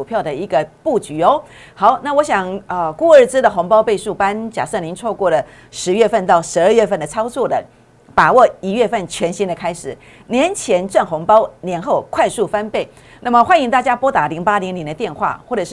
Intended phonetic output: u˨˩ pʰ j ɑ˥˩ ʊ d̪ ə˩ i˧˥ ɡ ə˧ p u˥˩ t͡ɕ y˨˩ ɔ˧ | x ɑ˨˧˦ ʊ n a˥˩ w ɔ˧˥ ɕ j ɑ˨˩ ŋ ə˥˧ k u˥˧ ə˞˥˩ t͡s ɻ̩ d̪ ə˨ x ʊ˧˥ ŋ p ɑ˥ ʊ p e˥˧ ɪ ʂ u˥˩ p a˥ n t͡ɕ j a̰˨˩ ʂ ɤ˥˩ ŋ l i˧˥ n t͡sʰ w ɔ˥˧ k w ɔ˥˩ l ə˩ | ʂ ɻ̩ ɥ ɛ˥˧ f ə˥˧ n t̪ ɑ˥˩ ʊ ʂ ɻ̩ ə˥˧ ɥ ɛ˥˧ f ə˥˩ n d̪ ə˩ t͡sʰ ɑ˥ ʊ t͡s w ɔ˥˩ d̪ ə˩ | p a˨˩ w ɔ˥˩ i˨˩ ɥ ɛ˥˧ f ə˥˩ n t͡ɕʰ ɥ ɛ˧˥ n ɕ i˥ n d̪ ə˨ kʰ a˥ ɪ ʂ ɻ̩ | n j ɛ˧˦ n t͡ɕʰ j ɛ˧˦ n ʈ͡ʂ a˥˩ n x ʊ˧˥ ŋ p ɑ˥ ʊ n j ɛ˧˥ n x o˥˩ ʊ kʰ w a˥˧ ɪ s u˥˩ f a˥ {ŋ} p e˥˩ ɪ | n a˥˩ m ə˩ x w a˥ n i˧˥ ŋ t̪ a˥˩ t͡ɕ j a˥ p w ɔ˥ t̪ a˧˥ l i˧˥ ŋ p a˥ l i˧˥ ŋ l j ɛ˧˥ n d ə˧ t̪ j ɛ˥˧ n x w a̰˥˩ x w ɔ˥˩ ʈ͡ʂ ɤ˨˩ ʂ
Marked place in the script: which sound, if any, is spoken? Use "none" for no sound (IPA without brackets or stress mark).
n